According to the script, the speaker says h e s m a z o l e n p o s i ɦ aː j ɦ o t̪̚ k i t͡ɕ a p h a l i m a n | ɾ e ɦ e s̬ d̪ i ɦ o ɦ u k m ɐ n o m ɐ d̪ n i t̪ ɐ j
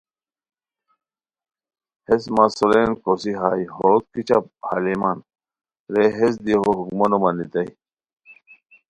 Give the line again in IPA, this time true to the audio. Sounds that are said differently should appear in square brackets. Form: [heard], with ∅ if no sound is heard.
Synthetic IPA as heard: h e s m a [s] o l e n [k] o s i ɦ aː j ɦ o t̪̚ k i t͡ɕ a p h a l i m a n | ɾ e ɦ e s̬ d̪ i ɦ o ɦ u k m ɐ n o m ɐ [∅] n i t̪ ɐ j